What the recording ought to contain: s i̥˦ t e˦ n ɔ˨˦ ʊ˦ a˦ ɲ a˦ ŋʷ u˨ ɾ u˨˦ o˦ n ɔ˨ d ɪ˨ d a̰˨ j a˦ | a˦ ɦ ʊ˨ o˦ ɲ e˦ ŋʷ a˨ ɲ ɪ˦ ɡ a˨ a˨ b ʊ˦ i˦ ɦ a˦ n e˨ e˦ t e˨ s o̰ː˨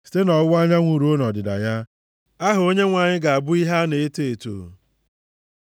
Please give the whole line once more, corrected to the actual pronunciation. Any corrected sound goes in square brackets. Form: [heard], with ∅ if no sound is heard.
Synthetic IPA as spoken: s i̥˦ t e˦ n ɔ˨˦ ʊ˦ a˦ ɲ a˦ ŋʷ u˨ ɾ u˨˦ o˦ n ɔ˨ d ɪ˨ d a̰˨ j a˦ | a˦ ɦ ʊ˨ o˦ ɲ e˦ ŋʷ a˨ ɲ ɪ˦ ɡ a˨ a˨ b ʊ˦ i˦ ɦ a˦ n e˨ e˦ t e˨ [t] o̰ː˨